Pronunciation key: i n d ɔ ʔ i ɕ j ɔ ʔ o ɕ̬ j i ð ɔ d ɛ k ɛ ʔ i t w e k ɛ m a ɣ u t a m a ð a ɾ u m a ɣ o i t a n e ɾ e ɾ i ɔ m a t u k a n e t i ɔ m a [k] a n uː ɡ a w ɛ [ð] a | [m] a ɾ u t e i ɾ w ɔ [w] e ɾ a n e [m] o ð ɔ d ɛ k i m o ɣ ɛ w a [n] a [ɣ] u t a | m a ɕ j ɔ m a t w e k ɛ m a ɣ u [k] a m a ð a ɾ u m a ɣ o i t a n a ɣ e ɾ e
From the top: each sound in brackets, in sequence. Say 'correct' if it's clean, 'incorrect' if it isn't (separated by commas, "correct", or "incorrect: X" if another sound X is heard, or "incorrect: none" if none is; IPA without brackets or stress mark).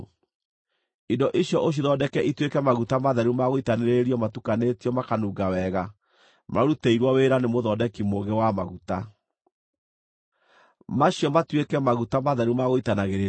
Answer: correct, incorrect: ɣ, correct, correct, correct, incorrect: m, correct, incorrect: t